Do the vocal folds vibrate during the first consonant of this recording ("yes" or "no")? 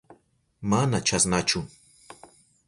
yes